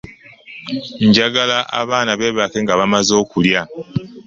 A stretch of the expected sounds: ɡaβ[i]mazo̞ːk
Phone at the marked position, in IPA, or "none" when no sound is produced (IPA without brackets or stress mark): a